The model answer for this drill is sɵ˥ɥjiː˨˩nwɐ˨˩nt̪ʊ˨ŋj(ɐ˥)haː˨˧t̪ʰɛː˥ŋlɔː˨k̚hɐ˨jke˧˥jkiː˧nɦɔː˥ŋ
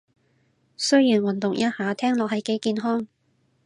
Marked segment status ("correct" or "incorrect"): correct